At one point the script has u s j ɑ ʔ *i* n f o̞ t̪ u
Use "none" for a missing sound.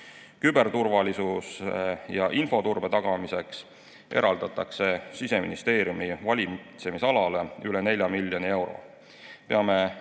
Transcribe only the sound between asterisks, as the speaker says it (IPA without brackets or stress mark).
i